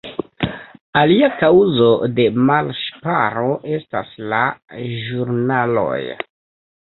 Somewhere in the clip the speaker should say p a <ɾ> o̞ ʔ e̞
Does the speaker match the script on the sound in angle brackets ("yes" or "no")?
yes